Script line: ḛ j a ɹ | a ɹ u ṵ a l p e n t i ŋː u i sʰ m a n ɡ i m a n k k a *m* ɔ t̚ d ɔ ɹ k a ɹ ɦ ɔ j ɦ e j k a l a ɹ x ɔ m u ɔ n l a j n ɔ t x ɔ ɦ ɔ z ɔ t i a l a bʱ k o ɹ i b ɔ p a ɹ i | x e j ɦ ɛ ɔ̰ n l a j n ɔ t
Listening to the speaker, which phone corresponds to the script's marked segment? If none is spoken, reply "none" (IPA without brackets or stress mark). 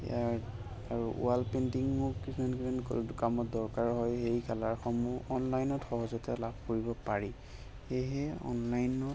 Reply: m